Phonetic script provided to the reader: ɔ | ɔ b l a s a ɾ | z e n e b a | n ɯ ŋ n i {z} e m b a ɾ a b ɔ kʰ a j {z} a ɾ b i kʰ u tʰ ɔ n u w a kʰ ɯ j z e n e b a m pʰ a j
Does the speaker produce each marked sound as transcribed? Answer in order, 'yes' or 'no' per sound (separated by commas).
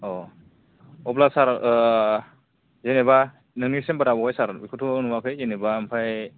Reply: no, no